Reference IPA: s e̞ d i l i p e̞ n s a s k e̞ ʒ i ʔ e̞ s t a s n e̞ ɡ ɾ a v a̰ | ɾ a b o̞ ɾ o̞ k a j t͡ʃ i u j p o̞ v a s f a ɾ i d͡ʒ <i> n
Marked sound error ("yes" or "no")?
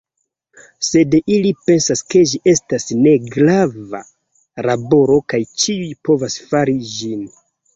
no